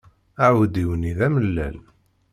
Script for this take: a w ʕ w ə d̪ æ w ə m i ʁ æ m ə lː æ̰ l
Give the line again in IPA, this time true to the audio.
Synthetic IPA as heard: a ʕ w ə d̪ i w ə n i ð æ m ə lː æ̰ l